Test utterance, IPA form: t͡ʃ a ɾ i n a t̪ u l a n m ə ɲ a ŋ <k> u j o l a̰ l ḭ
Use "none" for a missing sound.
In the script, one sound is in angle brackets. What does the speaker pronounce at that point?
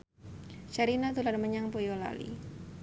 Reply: p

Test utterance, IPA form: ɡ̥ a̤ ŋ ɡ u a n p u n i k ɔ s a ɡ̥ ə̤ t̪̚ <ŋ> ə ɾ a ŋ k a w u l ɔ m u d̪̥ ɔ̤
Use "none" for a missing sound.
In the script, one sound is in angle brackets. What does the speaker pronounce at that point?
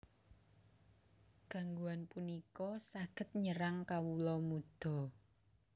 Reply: ɲ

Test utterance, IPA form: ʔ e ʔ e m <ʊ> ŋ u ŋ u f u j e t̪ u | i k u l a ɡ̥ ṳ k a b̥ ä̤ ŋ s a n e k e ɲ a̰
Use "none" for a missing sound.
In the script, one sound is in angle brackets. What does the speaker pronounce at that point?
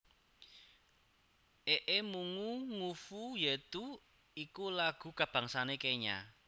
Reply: u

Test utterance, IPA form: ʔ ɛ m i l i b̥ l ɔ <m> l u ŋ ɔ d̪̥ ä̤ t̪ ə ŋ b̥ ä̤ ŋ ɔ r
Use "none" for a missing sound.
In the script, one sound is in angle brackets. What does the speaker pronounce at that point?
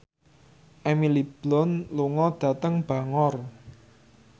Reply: n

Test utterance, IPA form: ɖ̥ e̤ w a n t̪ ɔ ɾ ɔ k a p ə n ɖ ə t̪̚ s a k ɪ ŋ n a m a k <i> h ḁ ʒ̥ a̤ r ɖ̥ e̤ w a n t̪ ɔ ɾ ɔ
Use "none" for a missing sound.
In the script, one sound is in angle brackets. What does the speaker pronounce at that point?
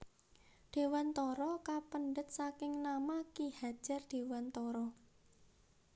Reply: i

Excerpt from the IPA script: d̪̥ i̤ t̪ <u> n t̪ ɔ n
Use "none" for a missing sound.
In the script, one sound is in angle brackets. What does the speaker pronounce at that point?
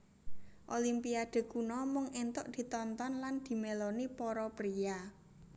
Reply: ɔ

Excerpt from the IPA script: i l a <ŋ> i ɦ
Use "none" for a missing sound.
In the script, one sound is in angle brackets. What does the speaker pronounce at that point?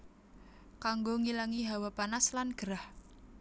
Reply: ŋ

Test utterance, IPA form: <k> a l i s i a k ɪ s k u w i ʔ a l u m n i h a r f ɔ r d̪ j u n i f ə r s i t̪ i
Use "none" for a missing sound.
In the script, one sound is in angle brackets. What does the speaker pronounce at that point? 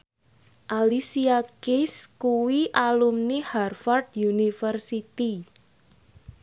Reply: ʔ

